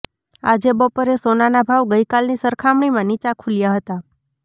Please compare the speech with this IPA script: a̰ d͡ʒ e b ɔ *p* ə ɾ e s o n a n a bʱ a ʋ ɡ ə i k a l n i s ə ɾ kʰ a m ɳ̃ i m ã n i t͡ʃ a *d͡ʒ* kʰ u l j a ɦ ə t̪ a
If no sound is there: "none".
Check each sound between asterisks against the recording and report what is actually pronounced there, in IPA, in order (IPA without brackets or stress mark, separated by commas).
p, none